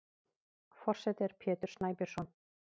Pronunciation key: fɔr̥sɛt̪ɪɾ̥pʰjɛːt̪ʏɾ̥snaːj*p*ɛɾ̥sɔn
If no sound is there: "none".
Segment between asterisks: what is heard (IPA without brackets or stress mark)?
p